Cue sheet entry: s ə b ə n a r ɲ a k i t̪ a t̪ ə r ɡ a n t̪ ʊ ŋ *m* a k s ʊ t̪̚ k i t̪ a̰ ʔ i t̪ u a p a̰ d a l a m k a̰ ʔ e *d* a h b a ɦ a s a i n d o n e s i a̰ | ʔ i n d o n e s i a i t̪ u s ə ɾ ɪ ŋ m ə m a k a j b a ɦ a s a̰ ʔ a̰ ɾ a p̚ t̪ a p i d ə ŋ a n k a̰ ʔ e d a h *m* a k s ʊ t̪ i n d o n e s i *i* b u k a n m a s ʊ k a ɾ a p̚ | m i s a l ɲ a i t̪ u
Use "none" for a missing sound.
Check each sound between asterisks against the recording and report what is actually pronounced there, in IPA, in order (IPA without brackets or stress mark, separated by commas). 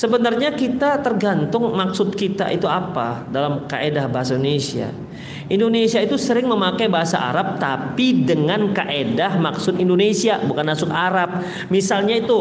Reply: m, d, m, a